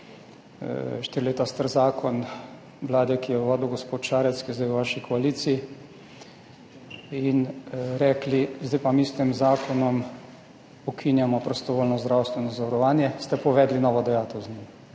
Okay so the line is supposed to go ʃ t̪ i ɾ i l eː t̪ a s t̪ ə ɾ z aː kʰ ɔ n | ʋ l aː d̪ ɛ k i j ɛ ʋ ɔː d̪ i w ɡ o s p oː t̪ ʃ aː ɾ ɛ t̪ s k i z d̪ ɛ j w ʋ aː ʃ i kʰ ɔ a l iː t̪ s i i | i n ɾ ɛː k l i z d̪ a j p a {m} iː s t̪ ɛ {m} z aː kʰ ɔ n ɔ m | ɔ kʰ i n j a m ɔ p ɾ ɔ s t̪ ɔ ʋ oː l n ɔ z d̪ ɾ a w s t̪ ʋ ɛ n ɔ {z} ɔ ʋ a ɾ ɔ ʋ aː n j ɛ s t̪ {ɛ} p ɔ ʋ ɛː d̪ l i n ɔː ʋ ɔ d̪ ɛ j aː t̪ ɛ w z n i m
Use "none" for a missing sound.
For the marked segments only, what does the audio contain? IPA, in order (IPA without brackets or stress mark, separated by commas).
m, m, z, ɛ